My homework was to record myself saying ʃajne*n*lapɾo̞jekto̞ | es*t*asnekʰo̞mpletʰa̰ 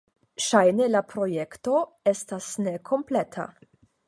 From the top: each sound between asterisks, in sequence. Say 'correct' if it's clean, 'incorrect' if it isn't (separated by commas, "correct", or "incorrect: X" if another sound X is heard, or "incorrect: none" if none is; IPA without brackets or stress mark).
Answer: incorrect: none, correct